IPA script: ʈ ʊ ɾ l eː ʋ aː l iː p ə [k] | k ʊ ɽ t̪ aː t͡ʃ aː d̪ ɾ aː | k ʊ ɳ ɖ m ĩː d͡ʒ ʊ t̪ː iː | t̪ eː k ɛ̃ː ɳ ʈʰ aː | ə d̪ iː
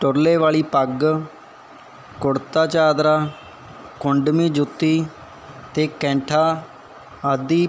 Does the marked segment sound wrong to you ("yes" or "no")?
yes